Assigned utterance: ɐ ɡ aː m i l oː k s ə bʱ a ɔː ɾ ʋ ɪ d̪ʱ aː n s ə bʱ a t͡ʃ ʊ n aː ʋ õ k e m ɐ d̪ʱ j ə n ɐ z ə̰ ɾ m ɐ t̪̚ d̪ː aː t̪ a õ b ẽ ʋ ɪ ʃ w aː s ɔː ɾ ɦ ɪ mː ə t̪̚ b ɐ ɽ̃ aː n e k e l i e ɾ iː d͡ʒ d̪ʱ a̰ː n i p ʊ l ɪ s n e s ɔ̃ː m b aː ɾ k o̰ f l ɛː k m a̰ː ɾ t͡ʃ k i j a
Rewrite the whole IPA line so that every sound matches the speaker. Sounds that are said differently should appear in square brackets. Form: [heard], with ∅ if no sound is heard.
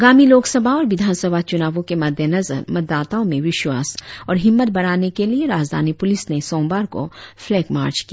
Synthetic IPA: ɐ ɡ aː m i l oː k s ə bʱ a ɔː ɾ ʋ ɪ d̪ʱ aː n s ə bʱ a t͡ʃ ʊ n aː ʋ õ k e m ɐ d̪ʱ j ə n ɐ z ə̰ ɾ m ɐ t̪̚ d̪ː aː t̪ a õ [m] ẽ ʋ ɪ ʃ w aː s ɔː ɾ ɦ ɪ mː ə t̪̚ b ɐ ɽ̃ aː n e k e l i e ɾ [aː] d͡ʒ d̪ʱ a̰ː n i p ʊ l ɪ s n e s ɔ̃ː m b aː ɾ k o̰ f l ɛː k m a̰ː ɾ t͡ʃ k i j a